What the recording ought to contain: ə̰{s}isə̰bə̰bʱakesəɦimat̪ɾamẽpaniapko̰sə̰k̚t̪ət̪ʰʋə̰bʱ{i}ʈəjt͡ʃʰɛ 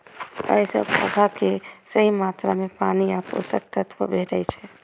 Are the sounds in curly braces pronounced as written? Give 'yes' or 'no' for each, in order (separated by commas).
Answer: no, no